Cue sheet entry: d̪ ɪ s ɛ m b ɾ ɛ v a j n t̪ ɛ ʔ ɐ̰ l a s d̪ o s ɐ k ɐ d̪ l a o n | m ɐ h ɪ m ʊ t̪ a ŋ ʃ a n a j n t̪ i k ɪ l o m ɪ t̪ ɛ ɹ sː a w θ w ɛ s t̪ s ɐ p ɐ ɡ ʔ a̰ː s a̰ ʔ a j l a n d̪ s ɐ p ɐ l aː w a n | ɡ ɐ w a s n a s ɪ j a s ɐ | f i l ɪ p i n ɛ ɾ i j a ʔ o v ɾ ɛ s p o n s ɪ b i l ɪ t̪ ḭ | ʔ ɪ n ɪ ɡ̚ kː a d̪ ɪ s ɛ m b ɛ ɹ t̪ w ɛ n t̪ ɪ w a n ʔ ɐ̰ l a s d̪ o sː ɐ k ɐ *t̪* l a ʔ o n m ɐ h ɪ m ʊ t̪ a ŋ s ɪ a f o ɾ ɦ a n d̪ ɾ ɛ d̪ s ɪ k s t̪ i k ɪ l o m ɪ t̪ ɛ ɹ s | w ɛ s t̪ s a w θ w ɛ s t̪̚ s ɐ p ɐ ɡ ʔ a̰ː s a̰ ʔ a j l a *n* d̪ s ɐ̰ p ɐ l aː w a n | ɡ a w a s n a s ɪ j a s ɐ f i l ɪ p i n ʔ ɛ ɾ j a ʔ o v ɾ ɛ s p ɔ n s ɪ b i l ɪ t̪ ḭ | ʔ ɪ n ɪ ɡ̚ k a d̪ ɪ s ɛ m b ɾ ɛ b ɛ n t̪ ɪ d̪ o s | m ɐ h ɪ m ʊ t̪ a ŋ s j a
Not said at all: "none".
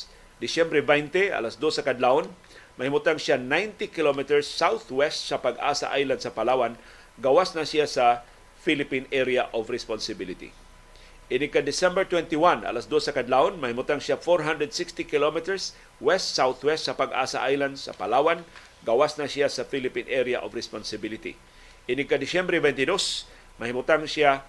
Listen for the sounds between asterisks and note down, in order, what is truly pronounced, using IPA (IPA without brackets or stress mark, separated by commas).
d̪, n